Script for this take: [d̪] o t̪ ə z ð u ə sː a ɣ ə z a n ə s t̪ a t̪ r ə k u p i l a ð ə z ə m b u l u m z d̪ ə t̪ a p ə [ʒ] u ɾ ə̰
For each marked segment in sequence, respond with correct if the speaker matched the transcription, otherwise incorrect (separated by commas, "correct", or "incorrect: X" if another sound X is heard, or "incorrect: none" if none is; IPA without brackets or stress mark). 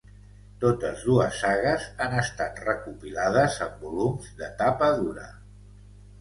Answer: incorrect: t̪, incorrect: ð